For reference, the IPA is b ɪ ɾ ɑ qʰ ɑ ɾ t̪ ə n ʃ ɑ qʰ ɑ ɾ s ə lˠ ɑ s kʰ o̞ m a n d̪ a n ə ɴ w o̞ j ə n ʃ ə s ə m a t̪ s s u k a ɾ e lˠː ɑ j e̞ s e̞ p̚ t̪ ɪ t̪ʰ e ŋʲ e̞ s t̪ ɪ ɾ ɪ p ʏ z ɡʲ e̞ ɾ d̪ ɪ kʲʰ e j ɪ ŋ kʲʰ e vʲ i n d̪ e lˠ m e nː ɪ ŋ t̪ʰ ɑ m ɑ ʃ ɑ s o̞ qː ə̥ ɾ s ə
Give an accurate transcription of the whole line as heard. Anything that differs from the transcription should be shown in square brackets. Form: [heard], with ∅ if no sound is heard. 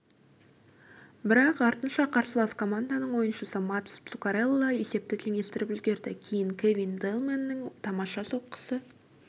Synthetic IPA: b ɪ ɾ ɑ [q] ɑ ɾ t̪ ə n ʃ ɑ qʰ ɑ ɾ s ə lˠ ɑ s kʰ o̞ m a n d̪ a n ə ɴ w o̞ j ə n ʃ ə s ə m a t̪ s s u k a ɾ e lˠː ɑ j e̞ s e̞ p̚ t̪ ɪ t̪ʰ e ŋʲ e̞ s t̪ ɪ ɾ ɪ p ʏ z ɡʲ e̞ ɾ d̪ ɪ kʲʰ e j ɪ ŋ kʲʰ e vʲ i n d̪ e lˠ m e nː ɪ ŋ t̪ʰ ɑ m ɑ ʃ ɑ s o̞ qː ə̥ [∅] s ə

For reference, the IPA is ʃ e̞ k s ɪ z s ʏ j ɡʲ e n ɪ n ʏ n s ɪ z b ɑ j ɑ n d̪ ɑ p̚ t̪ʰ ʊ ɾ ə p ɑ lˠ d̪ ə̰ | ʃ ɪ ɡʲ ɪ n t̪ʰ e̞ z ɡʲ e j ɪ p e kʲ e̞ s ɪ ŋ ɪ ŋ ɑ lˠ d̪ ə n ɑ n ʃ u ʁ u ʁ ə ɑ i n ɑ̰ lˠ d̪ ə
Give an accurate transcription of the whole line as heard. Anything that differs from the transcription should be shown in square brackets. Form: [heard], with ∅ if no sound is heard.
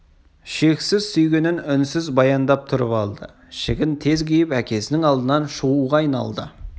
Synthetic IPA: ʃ e̞ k s ɪ z s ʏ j ɡʲ e n ɪ n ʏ n s ɪ z b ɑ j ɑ n d̪ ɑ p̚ t̪ʰ ʊ ɾ ə p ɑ lˠ d̪ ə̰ | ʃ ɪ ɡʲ ɪ n t̪ʰ e̞ z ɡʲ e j ɪ p [æ] kʲ e̞ s ɪ [n] ɪ ŋ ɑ lˠ d̪ ə n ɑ n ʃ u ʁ u ʁ [ɑ] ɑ [j] n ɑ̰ lˠ d̪ ə

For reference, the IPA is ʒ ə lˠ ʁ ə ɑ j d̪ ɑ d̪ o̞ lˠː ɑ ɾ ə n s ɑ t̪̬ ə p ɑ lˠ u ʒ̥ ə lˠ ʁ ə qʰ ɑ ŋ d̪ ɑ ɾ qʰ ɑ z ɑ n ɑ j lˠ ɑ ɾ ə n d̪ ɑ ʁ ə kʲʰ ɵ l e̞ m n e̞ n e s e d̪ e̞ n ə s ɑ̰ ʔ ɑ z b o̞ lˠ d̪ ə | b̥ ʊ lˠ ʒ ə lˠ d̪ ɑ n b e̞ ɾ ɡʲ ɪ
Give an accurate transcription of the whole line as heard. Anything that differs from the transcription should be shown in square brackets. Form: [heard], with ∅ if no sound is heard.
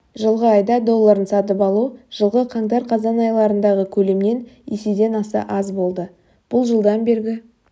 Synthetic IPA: ʒ ə lˠ ʁ ə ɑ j d̪ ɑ d̪ o̞ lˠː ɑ ɾ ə n s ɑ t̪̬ ə p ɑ lˠ u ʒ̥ ə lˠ ʁ ə qʰ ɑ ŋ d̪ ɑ ɾ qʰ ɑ z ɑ n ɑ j lˠ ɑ ɾ ə n d̪ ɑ ʁ ə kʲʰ ɵ l e̞ m n e̞ n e s e d̪ e̞ n [ɑ] s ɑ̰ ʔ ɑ z b o̞ lˠ d̪ ə | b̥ ʊ lˠ ʒ ə lˠ d̪ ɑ n b e̞ ɾ ɡʲ ɪ

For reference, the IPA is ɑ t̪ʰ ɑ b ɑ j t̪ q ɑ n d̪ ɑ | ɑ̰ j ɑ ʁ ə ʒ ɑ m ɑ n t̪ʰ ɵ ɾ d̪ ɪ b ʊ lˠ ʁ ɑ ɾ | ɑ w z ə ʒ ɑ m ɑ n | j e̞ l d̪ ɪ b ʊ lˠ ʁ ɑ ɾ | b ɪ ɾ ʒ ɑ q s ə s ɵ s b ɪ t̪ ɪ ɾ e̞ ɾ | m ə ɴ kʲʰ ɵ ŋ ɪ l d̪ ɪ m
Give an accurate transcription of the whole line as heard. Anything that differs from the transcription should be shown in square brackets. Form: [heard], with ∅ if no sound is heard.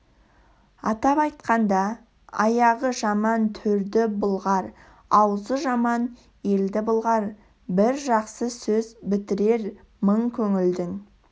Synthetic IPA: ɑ [t̪] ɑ [p] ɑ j t̪ q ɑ n d̪ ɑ | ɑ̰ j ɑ ʁ ə ʒ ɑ m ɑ n t̪ʰ ɵ ɾ d̪ ɪ b ʊ lˠ ʁ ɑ ɾ | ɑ w z ə ʒ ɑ m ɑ n | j e̞ l d̪ ɪ b ʊ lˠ ʁ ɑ ɾ | b ɪ ɾ ʒ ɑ q s ə s ɵ [z] b ɪ t̪ ɪ ɾ e̞ ɾ | m ə ɴ kʲʰ ɵ ŋ ɪ l d̪ ɪ [ŋ]

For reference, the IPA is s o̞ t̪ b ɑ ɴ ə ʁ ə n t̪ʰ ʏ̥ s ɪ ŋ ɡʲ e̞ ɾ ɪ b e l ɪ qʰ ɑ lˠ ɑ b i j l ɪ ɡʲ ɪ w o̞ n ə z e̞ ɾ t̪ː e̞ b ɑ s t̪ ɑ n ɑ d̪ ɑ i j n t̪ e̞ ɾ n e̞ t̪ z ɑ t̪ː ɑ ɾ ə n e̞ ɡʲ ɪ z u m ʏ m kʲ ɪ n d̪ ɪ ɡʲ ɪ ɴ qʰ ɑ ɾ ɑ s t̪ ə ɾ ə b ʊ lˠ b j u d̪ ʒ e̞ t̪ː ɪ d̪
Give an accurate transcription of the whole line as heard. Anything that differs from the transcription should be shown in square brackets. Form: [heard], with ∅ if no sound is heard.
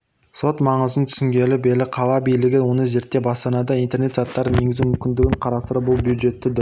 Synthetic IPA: s o̞ t̪ [m] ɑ ɴ ə [z] ə n t̪ʰ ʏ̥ s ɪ ŋ ɡʲ e̞ [l] ɪ b e l ɪ qʰ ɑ lˠ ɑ b i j l ɪ ɡʲ ɪ w o̞ n ə z e̞ ɾ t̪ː e̞ b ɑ s t̪ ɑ n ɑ d̪ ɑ i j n t̪ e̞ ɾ n e̞ t̪ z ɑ t̪ː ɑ ɾ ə n e̞ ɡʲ ɪ z u m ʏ m kʲ ɪ n d̪ ɪ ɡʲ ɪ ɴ qʰ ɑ ɾ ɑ s t̪ ə ɾ ə b ʊ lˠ b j u d̪ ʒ e̞ t̪ː ɪ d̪

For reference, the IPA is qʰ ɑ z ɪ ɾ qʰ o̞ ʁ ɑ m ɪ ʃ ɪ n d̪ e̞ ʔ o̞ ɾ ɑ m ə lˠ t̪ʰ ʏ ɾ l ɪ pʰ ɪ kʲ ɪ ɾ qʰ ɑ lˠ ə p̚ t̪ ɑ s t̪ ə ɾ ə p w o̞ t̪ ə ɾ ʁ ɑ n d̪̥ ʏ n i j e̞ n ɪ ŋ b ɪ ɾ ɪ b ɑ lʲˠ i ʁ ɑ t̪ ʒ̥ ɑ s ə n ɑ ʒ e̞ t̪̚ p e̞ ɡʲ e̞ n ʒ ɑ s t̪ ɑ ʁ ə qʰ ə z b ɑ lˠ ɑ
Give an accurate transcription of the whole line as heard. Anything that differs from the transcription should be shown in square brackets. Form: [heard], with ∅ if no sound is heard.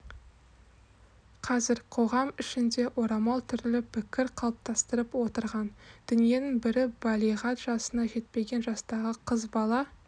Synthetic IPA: qʰ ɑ z ɪ ɾ qʰ o̞ ʁ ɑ m ɪ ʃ ɪ n d̪ e̞ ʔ o̞ ɾ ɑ m [ɑ] lˠ t̪ʰ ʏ ɾ l ɪ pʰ ɪ kʲ ɪ ɾ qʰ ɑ lˠ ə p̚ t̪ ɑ s t̪ ə ɾ ə p w o̞ t̪ ə ɾ ʁ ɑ n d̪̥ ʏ n i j e̞ n ɪ ŋ b ɪ ɾ ɪ b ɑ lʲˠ i ʁ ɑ t̪ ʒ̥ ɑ s ə n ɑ ʒ e̞ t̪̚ p e̞ ɡʲ e̞ n ʒ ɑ s t̪ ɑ ʁ ə qʰ ə z b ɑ lˠ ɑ

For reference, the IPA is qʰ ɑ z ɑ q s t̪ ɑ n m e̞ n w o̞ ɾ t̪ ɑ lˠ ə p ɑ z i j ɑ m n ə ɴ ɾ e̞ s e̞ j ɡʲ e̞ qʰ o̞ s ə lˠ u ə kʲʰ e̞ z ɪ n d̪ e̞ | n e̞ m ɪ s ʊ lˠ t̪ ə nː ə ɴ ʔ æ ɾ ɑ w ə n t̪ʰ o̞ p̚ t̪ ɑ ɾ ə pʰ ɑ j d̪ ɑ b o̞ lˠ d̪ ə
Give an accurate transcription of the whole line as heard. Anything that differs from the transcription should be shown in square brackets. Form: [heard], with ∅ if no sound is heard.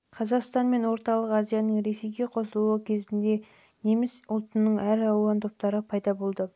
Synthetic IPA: qʰ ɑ z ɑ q s t̪ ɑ n m e̞ n w o̞ ɾ t̪ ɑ lˠ ə [q] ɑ z i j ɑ [∅] n ə ɴ ɾ e̞ s e̞ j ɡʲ e̞ qʰ o̞ s ə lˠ u ə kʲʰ e̞ z ɪ n d̪ e̞ | n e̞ m ɪ s ʊ lˠ t̪ ə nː ə ɴ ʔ æ ɾ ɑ w [ɑ] n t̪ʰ o̞ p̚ t̪ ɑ ɾ ə pʰ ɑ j d̪ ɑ b o̞ lˠ d̪ ə

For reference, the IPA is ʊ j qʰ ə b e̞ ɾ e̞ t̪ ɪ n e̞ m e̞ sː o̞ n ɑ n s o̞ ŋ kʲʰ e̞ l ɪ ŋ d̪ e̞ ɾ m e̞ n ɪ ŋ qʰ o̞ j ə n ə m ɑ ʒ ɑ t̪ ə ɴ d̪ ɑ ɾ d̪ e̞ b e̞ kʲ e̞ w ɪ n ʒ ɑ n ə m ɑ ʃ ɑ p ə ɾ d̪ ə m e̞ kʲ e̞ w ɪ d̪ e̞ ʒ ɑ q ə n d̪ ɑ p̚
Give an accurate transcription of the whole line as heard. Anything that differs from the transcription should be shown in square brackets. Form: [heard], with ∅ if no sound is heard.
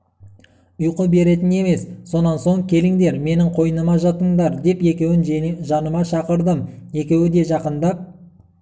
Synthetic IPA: ʊ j [q] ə b e̞ ɾ e̞ t̪ ɪ n e̞ m e̞ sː o̞ n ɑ n s o̞ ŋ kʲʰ e̞ l ɪ ŋ d̪ e̞ ɾ m e̞ n ɪ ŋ qʰ o̞ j ə n ə m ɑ ʒ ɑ t̪ ə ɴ d̪ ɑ ɾ d̪ e̞ [p] e̞ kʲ e̞ w ɪ n ʒ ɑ n ə m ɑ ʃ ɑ [q] ə ɾ d̪ ə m e̞ kʲ e̞ w ɪ d̪ e̞ ʒ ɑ q ə n d̪ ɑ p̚

